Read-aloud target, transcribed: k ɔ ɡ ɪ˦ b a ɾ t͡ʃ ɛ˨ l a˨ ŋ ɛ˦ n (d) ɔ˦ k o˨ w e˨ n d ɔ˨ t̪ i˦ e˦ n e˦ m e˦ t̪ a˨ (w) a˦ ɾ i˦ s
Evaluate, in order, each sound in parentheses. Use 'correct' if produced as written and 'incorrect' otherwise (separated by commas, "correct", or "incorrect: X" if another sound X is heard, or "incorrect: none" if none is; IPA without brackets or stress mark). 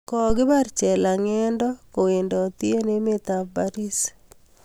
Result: correct, incorrect: b